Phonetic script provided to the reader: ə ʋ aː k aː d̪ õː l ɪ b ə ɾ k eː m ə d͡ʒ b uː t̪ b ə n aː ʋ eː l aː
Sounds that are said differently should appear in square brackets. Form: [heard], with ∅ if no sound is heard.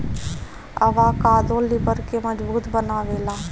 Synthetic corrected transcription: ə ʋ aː k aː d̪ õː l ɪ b ə ɾ k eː m ə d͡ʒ b uː t̪ b ə n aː ʋ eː l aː